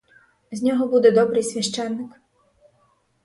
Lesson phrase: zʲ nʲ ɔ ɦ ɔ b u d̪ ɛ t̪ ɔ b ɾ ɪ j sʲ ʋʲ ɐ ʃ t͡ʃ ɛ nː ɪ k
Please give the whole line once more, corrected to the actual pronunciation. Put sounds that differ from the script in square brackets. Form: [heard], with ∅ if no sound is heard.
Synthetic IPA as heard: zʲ nʲ ɔ ɦ ɔ b u d̪ ɛ [d̪] ɔ b ɾ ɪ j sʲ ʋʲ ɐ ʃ t͡ʃ ɛ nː ɪ k